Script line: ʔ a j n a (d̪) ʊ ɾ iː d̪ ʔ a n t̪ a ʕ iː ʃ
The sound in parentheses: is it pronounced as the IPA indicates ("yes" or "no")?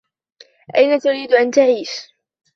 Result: no